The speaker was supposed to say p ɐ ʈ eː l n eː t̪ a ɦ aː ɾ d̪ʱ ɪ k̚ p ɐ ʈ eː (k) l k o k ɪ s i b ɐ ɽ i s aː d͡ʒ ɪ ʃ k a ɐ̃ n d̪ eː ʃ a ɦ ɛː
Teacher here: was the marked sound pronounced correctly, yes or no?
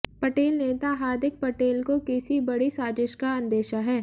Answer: no